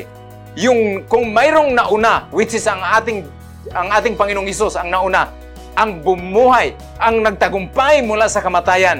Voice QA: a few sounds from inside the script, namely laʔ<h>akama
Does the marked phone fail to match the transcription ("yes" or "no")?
yes